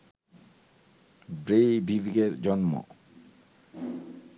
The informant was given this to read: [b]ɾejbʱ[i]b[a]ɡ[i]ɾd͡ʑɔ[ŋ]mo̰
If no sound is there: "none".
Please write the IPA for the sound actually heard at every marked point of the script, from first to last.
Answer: b, i, i, e, n

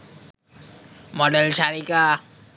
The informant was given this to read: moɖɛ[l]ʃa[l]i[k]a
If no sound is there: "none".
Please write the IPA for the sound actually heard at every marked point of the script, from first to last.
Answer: l, ɾ, k

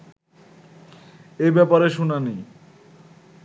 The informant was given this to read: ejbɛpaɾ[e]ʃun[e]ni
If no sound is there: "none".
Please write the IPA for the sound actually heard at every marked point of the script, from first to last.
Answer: e, a

